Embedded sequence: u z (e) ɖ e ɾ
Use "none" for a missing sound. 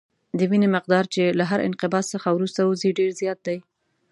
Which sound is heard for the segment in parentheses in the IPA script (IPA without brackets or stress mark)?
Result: i